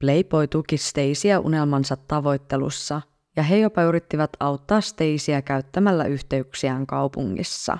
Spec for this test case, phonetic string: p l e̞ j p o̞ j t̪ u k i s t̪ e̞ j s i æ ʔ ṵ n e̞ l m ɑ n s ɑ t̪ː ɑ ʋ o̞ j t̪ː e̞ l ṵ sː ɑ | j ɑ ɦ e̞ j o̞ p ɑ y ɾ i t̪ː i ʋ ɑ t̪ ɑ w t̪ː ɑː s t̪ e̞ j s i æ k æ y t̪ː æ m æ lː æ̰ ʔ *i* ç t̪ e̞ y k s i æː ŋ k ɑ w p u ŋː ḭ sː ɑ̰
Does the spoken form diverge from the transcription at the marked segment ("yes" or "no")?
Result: yes